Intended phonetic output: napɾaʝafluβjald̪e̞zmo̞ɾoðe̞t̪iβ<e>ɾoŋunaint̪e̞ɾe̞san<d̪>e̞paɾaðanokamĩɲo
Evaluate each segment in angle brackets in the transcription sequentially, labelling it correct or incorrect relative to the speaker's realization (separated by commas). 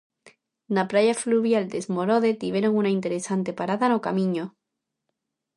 correct, incorrect